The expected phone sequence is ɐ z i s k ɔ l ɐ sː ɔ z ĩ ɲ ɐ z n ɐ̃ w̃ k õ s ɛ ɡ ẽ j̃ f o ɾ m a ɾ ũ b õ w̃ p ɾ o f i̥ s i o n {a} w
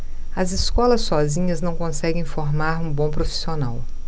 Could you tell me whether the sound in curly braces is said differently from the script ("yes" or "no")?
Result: no